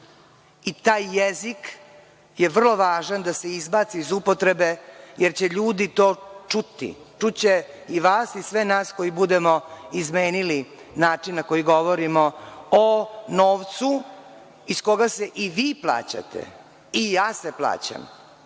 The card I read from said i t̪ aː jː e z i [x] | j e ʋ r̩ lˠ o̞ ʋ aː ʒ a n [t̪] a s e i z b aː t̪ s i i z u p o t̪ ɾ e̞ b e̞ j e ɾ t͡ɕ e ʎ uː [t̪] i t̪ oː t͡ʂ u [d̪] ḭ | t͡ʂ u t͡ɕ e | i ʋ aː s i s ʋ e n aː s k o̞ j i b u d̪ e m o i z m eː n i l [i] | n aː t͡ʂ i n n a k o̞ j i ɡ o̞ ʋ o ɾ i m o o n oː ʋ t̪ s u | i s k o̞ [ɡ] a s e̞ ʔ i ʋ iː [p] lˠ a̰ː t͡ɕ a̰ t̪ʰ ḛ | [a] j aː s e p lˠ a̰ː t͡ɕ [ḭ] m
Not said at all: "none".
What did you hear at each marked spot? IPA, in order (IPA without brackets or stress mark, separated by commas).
k, d̪, d̪, t̪, i, ɡ, p, i, a̰